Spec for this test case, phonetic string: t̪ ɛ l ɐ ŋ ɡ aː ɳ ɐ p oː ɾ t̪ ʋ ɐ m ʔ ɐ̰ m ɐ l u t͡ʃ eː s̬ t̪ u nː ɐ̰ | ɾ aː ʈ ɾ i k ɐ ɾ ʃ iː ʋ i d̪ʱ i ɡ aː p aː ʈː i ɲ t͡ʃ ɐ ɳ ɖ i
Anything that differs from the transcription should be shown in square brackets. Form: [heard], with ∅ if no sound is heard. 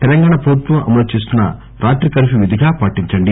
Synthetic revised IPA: t̪ ɛ l ɐ ŋ ɡ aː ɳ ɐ p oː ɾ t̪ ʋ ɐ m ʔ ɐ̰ m ɐ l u t͡ʃ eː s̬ t̪ u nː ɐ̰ | ɾ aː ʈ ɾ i k ɐ ɾ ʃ [i] ʋ i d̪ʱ i ɡ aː p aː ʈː i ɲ t͡ʃ ɐ ɳ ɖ i